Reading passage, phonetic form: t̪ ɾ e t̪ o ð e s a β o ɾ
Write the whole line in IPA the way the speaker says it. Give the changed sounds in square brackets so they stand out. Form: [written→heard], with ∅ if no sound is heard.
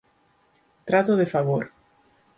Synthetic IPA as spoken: t̪ ɾ [e→a] t̪ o ð e [s→f] a β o ɾ